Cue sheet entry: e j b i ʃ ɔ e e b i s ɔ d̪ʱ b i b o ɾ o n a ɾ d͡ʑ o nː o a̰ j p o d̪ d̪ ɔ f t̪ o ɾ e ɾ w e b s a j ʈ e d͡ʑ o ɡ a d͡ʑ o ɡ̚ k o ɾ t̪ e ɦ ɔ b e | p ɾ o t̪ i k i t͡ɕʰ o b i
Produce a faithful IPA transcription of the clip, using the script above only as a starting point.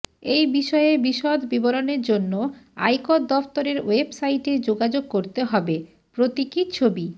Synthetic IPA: e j b i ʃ ɔ e e b i ʃ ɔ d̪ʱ b i b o ɾ o n e ɾ d͡ʑ o nː o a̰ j k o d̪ d̪ ɔ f t̪ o ɾ e ɾ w e b s a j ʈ e d͡ʑ o ɡ a d͡ʑ o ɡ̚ k o ɾ t̪ e ɦ ɔ b e | p ɾ o t̪ i k i t͡ɕʰ o b i